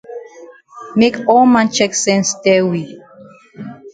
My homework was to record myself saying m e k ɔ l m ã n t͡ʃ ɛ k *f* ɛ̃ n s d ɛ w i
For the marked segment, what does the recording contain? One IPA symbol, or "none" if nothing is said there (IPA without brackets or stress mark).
s